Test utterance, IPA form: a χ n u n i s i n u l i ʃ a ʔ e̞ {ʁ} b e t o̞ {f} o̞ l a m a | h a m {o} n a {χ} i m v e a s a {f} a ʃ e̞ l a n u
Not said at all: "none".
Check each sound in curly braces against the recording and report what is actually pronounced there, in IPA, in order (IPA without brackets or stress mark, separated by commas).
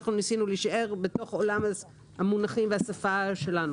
ʁ, χ, u, χ, f